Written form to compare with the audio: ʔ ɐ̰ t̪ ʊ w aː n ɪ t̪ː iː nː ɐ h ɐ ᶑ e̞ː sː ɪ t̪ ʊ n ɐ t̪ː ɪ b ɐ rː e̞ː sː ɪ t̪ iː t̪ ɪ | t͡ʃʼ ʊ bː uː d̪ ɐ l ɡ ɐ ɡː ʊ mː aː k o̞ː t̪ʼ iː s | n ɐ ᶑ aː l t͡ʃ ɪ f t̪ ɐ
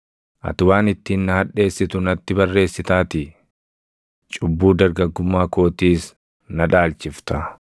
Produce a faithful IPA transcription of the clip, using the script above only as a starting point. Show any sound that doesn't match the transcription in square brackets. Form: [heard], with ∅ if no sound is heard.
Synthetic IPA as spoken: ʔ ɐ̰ t̪ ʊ w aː n ɪ t̪ː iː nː ɐ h ɐ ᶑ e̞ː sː ɪ t̪ ʊ n ɐ t̪ː ɪ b ɐ rː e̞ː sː ɪ t̪ [aː] t̪ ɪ | t͡ʃʼ ʊ bː uː d̪ ɐ [ɾ] ɡ ɐ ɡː ʊ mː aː k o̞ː [t̪] iː s | n ɐ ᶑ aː l t͡ʃ ɪ f t̪ ɐ